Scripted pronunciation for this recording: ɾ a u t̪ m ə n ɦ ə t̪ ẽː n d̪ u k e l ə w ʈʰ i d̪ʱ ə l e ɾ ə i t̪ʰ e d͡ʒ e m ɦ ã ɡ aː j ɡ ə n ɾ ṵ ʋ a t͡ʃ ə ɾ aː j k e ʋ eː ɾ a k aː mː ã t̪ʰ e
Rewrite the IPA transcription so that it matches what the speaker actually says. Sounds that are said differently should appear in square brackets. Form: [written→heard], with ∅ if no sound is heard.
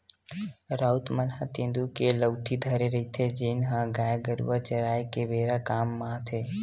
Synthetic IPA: ɾ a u t̪ m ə n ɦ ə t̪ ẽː n d̪ u k e l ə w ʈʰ i d̪ʱ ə [l→ɾ] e ɾ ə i t̪ʰ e d͡ʒ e [m→n] ɦ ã ɡ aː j ɡ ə [n→∅] ɾ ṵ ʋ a t͡ʃ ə ɾ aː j k e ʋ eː ɾ a k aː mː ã t̪ʰ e